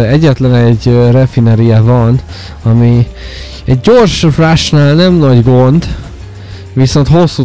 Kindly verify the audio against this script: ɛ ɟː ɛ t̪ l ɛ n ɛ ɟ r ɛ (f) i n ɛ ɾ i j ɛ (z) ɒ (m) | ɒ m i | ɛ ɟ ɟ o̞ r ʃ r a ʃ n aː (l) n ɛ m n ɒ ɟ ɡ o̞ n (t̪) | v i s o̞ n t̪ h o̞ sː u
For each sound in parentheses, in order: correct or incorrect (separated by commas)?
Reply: correct, incorrect, incorrect, correct, incorrect